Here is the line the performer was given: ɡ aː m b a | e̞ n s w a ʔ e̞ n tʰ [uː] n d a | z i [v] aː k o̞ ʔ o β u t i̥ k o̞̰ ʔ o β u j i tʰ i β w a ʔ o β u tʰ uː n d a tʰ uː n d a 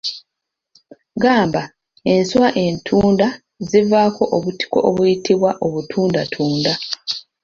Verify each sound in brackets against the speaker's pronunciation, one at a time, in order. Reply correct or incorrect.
correct, correct

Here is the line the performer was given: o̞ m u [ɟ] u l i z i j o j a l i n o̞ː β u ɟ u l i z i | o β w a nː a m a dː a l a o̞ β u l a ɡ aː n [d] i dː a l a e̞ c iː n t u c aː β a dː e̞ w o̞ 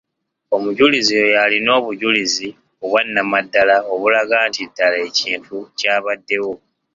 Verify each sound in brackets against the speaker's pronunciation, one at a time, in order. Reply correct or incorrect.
correct, incorrect: t

